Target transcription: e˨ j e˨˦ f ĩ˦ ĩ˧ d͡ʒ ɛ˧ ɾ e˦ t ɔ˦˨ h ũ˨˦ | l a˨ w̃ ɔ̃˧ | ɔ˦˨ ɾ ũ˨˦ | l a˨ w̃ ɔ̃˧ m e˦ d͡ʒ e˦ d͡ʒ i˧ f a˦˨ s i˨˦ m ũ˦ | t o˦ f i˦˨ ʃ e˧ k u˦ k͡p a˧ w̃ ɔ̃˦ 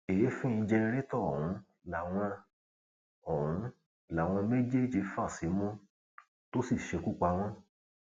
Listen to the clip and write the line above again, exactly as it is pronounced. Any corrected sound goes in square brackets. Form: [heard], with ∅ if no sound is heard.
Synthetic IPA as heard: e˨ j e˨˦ f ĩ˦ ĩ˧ d͡ʒ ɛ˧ ɾ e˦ t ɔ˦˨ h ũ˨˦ | l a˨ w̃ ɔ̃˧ | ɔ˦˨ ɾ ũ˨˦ | l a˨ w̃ ɔ̃˧ m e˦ d͡ʒ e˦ d͡ʒ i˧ f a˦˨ s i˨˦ m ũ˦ | t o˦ [s] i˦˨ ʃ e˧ k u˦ k͡p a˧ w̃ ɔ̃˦